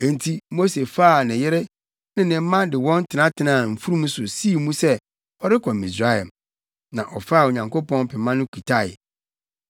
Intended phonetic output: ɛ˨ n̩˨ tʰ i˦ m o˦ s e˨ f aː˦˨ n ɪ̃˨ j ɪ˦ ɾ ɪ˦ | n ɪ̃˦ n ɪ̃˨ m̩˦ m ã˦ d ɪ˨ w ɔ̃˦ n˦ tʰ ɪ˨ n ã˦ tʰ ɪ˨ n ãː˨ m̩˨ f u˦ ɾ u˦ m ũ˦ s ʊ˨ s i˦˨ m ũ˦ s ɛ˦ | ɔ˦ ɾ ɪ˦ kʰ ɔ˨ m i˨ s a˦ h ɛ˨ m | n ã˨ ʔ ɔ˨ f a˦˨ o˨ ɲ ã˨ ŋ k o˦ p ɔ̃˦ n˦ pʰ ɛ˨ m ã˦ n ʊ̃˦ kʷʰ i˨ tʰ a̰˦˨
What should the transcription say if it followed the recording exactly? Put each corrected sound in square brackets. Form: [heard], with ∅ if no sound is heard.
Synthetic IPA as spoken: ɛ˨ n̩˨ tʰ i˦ m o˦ s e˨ f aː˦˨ n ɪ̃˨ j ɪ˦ ɾ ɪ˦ | n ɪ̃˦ n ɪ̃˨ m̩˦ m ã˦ d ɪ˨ w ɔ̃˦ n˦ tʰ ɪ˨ n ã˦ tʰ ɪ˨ n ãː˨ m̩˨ f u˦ ɾ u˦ m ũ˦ s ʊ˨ s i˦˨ m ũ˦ s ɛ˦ | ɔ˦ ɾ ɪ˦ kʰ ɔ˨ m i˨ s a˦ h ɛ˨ m | n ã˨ ʔ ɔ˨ f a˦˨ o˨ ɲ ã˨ ŋ k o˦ p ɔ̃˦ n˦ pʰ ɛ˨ m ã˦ n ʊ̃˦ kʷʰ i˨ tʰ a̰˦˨